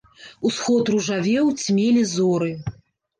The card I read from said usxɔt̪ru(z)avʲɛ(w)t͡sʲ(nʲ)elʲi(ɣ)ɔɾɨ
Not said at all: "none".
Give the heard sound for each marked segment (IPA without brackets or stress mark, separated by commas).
ʐ, w, mʲ, z